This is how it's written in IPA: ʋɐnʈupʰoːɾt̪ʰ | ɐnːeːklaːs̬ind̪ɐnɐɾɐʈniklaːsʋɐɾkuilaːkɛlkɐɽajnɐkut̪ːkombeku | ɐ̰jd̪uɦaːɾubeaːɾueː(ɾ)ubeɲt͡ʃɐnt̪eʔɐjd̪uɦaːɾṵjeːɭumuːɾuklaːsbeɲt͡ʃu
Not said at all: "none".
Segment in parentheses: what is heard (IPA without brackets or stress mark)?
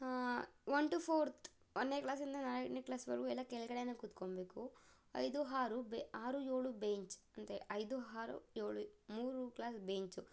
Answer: ɭ